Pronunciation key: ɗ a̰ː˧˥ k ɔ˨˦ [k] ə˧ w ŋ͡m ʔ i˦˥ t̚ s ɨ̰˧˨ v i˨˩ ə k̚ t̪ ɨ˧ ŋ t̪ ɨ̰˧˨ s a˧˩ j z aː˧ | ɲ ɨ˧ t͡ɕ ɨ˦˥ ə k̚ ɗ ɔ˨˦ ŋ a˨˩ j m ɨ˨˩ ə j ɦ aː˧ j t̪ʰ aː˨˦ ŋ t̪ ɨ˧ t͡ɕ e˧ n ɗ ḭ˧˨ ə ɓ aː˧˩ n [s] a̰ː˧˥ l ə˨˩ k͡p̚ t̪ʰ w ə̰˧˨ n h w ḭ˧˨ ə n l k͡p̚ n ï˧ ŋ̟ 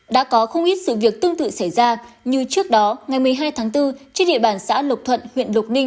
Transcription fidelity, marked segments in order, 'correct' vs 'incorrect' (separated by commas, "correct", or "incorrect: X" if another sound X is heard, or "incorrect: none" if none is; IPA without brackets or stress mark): incorrect: x, correct